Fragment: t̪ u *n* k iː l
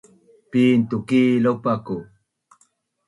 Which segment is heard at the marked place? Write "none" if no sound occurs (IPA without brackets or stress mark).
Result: none